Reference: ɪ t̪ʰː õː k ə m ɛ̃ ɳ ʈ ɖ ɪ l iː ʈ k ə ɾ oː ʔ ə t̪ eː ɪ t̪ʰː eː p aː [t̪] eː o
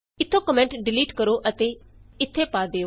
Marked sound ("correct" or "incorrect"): incorrect